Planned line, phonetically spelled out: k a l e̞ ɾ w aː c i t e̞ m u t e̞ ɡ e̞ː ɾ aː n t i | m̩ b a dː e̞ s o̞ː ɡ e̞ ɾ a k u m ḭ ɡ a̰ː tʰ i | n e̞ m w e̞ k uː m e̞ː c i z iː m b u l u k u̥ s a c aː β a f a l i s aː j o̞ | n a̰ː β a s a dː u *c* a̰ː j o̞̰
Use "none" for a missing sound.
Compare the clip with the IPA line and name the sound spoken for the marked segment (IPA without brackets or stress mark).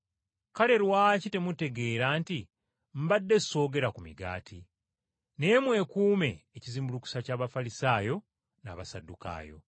k